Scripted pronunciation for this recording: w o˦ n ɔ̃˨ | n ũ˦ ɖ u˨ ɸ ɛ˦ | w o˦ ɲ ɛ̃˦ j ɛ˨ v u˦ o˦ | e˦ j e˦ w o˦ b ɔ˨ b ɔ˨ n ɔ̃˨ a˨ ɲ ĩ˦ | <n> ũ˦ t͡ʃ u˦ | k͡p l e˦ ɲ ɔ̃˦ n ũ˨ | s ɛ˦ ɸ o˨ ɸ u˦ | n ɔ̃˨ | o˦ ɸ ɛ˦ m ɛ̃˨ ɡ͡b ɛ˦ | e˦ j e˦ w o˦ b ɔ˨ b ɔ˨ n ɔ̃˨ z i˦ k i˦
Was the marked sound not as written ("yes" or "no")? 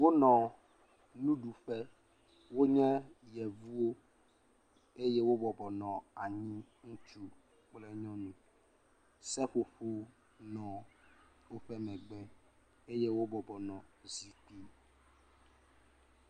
yes